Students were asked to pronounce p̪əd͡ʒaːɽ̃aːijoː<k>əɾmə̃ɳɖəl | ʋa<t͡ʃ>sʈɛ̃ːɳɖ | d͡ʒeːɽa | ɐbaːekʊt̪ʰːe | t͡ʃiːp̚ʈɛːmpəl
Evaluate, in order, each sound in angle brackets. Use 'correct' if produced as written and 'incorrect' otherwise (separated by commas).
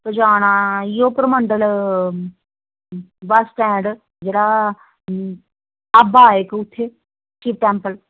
incorrect, incorrect